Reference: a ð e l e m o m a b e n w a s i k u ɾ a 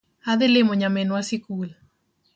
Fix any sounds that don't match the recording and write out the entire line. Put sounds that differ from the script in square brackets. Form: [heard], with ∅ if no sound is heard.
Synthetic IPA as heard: a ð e l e m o [ɲ] a [m] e n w a s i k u [l] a

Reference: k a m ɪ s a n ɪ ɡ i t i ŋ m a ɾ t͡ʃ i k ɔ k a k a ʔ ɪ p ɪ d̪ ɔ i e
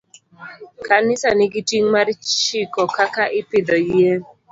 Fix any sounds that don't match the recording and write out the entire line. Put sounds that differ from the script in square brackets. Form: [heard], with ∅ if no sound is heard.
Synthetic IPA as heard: k a [n] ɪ s a n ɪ ɡ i t i ŋ m a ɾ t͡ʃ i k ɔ k a k a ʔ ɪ p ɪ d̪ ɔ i e

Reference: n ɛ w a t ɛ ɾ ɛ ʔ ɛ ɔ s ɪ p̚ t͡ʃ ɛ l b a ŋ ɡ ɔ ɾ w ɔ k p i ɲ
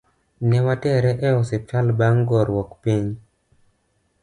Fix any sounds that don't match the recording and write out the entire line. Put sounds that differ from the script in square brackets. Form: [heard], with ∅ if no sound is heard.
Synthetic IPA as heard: n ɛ w a t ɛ ɾ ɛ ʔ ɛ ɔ s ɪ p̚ t͡ʃ [a] l b a ŋ ɡ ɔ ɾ w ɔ k p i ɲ

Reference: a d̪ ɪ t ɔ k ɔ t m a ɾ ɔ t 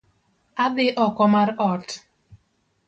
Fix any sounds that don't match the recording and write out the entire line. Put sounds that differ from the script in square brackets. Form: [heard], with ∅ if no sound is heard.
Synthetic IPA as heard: a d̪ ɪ [ʔ] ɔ k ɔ [∅] m a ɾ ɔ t

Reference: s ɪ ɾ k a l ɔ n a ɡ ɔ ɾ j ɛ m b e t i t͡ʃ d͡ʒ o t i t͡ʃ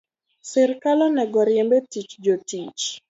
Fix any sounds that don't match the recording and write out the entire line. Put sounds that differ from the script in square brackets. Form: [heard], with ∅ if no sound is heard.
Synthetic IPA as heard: s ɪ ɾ k a l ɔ n [ɛ] ɡ ɔ ɾ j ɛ m b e t i t͡ʃ d͡ʒ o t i t͡ʃ

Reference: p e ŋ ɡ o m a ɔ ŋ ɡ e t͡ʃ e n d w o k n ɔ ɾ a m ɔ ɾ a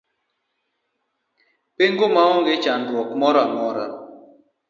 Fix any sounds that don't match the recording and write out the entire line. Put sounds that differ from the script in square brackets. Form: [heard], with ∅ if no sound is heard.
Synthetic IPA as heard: p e ŋ ɡ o m a ɔ ŋ ɡ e t͡ʃ [a] n d w [ɔ] k [m] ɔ ɾ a m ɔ ɾ a

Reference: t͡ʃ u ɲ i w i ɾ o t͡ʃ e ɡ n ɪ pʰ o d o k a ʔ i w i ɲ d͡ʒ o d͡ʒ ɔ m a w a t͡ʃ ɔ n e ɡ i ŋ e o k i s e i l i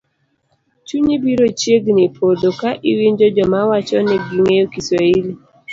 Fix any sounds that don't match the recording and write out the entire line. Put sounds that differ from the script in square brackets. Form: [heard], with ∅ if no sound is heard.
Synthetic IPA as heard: t͡ʃ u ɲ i [b] i ɾ o t͡ʃ e ɡ n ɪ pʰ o d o k a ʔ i w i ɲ d͡ʒ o d͡ʒ ɔ m a w a t͡ʃ ɔ n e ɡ i ŋ e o k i s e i l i

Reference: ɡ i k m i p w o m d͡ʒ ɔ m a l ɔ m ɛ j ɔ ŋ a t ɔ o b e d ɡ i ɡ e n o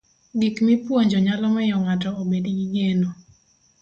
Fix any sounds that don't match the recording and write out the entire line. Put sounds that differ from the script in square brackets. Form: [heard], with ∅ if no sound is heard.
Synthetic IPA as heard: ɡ i k m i p w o [ɲ] d͡ʒ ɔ [ɲ] a l ɔ m ɛ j ɔ ŋ a t ɔ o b e d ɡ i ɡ e n o

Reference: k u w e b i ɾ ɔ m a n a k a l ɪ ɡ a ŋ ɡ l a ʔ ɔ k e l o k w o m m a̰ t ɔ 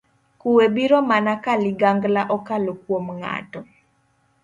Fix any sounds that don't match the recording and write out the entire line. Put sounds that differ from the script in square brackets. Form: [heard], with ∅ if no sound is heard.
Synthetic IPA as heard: k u w e b i ɾ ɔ m a n a k a l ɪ ɡ a ŋ ɡ l a ʔ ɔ k [a] l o k w o m [ŋ] a̰ t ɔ

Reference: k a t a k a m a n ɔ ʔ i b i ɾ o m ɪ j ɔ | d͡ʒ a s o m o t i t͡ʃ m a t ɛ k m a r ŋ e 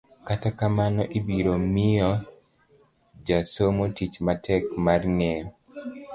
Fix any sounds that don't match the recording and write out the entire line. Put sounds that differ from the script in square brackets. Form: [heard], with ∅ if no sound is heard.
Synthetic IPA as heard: k a t a k a m a n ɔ ʔ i b i ɾ o m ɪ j ɔ | d͡ʒ a s o m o t i t͡ʃ m a t ɛ k m a r ŋ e

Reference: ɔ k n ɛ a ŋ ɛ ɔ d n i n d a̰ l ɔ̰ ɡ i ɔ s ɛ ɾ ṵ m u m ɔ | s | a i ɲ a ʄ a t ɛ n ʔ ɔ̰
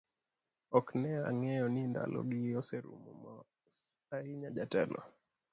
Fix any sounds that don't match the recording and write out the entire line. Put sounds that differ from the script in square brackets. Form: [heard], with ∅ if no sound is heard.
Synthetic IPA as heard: ɔ k n ɛ a ŋ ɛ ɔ [∅] n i n d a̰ l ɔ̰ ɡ i ɔ s ɛ ɾ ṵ m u m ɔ | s | a i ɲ a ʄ a t ɛ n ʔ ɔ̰

